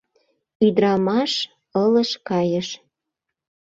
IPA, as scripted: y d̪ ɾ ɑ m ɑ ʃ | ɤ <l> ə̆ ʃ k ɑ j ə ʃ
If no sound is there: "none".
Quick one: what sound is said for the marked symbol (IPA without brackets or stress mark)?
l